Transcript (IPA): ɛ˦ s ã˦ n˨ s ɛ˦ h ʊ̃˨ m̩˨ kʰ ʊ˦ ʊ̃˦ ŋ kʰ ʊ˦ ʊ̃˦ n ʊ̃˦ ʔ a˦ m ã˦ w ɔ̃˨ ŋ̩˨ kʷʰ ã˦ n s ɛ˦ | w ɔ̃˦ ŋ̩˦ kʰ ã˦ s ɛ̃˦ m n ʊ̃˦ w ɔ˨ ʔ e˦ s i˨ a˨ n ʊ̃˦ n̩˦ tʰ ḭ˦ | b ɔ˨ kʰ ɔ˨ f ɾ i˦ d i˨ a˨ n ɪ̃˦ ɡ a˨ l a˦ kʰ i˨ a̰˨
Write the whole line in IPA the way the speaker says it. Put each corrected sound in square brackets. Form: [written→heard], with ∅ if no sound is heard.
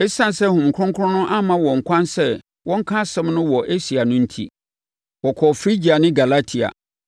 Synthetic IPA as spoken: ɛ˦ s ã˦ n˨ s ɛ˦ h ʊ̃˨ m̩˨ kʰ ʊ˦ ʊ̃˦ ŋ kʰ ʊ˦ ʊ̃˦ n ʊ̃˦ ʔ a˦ m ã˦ w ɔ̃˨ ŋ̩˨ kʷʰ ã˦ n s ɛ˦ | w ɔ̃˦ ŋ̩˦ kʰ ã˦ s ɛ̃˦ m n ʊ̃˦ w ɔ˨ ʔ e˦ s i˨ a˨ n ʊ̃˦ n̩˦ tʰ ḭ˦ | [b→w] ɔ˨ kʰ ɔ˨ f ɾ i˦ [d→d͡ʑ] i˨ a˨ n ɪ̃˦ ɡ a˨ l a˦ [kʰ→tʰ] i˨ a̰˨

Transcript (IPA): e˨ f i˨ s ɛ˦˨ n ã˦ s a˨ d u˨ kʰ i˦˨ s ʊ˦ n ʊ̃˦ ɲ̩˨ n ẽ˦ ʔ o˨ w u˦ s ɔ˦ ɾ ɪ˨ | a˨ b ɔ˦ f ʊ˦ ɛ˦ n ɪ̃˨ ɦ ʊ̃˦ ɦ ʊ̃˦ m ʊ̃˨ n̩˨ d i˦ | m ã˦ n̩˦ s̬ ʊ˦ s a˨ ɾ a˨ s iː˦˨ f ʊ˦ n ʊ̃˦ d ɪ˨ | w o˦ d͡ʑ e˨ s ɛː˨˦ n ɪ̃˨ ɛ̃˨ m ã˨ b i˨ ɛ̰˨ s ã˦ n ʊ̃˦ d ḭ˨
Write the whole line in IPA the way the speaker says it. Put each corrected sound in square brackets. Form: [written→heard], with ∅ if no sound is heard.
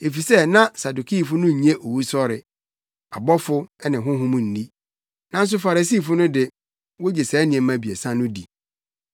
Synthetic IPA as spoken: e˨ f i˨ s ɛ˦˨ n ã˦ s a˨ d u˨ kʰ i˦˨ [s→f] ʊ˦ n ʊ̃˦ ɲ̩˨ [n→ɲ] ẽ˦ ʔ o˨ w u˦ s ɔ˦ ɾ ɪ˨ | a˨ b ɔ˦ f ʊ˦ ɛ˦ n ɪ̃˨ ɦ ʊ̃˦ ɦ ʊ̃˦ m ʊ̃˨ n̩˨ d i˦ | [m→n] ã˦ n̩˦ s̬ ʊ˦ [s→f] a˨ ɾ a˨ s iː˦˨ f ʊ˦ n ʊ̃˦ d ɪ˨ | w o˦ d͡ʑ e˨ s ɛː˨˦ n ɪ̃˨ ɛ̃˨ m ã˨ b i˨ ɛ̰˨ s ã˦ n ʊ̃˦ d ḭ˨

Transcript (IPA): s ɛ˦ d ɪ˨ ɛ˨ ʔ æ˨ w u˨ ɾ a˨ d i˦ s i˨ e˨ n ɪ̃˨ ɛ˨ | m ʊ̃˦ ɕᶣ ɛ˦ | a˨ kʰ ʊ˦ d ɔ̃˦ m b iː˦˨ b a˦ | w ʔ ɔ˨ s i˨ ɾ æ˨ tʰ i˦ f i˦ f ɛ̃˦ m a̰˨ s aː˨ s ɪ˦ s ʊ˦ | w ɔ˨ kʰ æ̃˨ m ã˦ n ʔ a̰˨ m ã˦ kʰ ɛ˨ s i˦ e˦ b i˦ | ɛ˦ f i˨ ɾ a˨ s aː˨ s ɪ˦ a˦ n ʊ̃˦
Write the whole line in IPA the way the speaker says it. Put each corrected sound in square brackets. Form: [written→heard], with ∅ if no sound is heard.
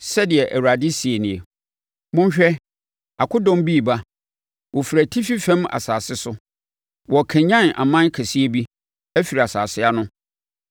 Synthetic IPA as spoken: s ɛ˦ d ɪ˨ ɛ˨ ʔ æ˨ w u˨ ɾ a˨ d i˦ s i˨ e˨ n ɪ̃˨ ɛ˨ | m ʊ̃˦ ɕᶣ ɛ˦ | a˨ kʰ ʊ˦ d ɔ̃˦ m b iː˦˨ b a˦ | w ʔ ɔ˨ [s→f] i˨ ɾ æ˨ tʰ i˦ f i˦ f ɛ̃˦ m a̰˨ s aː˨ s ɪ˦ s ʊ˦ | w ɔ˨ kʰ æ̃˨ [m→ɲ] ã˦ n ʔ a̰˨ m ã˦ kʰ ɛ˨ s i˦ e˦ b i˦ | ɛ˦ f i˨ ɾ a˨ s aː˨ s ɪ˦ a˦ n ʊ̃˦

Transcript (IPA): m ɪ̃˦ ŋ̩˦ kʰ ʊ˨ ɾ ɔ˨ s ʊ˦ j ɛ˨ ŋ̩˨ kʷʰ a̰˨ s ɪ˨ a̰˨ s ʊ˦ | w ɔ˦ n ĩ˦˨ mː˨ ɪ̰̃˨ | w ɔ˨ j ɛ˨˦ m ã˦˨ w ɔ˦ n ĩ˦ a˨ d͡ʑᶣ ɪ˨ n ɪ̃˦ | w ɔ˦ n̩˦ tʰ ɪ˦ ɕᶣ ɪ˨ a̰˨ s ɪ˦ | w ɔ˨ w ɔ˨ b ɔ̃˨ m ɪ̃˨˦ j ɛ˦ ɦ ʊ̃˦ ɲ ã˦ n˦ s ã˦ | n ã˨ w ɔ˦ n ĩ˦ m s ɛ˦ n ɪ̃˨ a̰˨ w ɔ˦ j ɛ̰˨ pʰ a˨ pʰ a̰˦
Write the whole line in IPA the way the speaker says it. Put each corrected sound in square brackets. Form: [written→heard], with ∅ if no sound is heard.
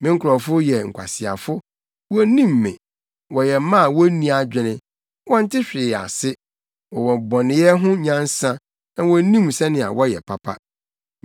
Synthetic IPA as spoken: m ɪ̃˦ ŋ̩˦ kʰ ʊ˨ ɾ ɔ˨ [s→f] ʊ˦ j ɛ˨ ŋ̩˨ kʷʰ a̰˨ s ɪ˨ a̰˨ [s→f] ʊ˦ | w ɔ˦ n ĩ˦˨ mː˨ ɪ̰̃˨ | w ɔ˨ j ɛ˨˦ m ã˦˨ w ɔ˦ n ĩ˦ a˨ d͡ʑᶣ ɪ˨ n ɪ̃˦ | w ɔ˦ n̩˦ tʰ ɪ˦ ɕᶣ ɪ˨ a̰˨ s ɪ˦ | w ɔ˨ w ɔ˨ b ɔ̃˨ [m→n] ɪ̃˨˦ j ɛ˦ ɦ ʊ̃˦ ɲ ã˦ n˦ s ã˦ | n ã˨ w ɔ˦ n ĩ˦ m s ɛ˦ n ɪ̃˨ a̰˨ w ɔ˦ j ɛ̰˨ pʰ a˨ pʰ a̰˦

